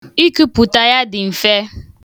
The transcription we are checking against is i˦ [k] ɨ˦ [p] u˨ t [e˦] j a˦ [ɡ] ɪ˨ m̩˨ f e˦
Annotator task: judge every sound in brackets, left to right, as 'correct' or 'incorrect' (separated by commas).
correct, correct, incorrect, incorrect